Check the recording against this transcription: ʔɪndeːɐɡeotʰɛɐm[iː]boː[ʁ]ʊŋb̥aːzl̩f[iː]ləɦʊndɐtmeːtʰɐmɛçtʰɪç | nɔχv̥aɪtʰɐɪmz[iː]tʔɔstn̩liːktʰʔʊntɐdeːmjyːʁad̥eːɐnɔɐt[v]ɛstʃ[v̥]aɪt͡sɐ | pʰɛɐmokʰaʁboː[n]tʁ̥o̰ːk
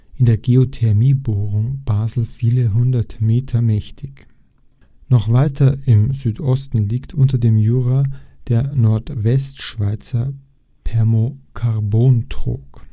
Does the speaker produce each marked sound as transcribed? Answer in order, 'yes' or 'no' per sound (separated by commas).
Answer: yes, yes, yes, no, yes, yes, yes